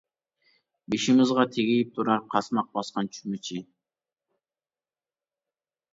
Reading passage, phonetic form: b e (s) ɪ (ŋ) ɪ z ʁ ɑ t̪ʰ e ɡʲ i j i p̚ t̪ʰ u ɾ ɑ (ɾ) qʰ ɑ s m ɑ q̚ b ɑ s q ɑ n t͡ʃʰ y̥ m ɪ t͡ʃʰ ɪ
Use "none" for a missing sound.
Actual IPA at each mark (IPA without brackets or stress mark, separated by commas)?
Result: ʃ, m, ɾ